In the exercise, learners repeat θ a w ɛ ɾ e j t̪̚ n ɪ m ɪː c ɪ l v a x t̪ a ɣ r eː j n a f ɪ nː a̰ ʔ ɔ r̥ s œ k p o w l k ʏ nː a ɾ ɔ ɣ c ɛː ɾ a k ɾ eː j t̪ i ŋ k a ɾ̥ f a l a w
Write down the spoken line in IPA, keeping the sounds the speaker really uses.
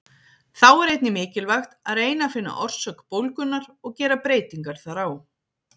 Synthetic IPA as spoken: θ a w ɛ ɾ e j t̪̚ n ɪ m ɪː c ɪ l v a x t̪ a ð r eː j n a f ɪ nː a̰ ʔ ɔ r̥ s œ k p o w l k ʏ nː a ɾ ɔ ɣ c ɛː ɾ a p ɾ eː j t̪ i ŋ k a ɾ̥ θ a ɾ a w